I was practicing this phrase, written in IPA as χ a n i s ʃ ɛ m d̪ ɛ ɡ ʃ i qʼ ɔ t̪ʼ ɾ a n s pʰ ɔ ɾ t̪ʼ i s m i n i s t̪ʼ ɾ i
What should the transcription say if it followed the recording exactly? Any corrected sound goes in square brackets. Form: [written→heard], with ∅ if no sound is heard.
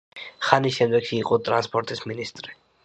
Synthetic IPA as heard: χ a n i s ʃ ɛ m d̪ ɛ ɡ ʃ [i→iː] qʼ ɔ t̪ʼ ɾ a n s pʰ ɔ ɾ t̪ʼ i s m i n i s t̪ʼ ɾ i